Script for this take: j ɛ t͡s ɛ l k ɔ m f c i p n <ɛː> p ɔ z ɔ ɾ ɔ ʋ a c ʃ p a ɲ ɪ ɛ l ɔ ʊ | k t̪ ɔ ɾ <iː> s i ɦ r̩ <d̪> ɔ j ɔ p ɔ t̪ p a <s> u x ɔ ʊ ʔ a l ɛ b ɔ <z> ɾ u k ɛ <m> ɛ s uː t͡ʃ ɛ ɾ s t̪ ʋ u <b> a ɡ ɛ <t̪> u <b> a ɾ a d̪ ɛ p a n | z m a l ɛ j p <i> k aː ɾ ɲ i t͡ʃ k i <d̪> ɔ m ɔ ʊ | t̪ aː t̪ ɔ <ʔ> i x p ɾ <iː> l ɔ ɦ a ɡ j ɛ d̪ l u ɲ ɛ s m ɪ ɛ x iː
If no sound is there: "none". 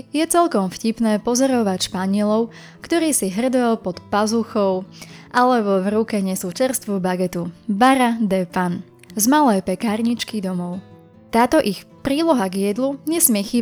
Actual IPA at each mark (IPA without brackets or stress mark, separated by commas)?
ɛː, iː, d̪, z, v, ɲ, b, t̪, b, ɛ, d̪, ʔ, iː